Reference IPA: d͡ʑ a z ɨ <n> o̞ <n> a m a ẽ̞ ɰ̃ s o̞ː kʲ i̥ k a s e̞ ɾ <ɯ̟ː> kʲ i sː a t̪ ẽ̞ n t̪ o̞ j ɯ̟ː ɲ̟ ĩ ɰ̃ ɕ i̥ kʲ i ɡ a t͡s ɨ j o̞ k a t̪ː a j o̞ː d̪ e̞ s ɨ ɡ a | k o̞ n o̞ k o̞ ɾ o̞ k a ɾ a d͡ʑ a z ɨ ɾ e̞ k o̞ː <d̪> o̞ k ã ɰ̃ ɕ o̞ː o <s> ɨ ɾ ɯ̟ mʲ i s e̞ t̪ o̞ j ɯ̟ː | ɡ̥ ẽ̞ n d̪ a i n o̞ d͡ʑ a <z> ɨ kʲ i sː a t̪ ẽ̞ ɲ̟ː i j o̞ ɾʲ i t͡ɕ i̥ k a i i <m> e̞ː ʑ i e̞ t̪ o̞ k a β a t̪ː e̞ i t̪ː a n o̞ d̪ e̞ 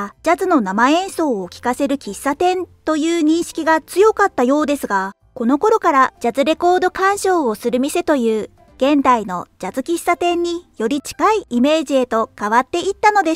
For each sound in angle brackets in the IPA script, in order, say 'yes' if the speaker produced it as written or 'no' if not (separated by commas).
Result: yes, yes, no, yes, yes, yes, yes